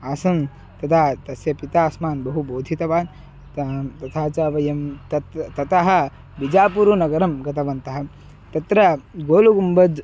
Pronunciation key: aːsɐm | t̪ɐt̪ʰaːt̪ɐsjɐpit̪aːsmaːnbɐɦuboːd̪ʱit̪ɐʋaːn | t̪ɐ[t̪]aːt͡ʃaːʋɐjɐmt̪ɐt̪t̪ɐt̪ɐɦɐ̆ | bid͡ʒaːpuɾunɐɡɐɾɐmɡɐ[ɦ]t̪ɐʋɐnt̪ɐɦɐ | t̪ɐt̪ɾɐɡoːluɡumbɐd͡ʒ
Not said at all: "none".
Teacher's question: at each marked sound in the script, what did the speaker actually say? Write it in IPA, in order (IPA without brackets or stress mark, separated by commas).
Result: t̪ʰ, none